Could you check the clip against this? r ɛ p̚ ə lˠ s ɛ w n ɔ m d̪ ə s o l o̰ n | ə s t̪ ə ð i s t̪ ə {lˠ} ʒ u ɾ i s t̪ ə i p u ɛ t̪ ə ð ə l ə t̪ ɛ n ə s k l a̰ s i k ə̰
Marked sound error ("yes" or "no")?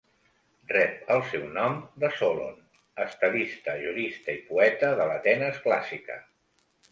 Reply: yes